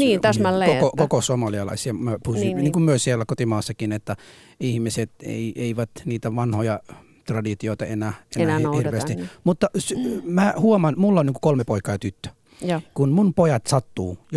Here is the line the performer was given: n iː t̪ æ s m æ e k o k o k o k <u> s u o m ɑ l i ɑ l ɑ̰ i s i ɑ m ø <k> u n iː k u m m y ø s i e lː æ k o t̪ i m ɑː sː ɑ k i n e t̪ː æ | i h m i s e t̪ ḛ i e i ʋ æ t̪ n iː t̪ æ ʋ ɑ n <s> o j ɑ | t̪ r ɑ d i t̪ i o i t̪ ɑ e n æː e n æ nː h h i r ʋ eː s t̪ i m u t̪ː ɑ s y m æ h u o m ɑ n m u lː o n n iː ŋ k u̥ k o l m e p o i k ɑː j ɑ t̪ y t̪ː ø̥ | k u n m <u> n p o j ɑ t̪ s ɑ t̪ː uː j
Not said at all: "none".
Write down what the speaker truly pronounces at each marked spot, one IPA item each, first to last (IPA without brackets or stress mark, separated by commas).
o, p, h, u